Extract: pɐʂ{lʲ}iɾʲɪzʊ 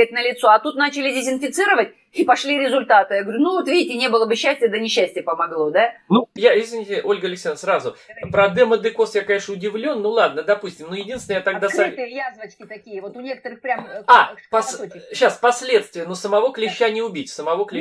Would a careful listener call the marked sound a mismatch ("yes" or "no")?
no